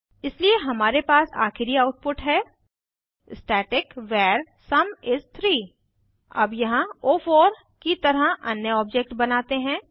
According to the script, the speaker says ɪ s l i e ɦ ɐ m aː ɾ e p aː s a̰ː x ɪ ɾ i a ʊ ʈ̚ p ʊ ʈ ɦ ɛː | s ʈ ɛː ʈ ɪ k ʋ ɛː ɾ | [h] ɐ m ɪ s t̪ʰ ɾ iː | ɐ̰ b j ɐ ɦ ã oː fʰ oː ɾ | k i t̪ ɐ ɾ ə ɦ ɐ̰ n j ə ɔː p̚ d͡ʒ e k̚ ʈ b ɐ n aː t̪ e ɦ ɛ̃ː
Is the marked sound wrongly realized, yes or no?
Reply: yes